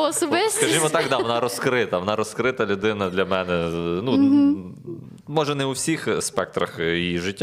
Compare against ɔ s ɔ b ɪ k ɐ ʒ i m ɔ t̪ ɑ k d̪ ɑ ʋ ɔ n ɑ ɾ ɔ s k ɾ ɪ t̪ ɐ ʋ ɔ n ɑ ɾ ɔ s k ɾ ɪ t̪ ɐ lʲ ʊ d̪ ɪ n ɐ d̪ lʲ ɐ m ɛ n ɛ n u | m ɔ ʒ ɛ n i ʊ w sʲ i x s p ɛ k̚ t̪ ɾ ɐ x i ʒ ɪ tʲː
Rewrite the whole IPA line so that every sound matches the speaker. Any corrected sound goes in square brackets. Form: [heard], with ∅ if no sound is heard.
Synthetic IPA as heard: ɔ s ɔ b ɪ k ɐ ʒ i m ɔ t̪ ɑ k d̪ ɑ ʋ ɔ n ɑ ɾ ɔ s k ɾ ɪ t̪ ɐ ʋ ɔ n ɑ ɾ ɔ s k ɾ ɪ t̪ ɐ lʲ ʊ d̪ ɪ n ɐ d̪ lʲ ɐ m ɛ n ɛ n u | m ɔ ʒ ɛ n [ɛ] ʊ w sʲ i x s p ɛ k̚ t̪ ɾ ɐ x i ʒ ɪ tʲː